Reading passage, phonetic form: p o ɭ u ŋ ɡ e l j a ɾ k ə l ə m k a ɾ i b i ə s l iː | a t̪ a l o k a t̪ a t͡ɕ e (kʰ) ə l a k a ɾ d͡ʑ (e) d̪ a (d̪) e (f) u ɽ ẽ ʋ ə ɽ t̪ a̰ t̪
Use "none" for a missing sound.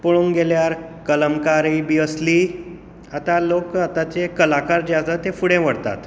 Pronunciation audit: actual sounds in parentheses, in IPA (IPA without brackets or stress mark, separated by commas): k, a, t̪, f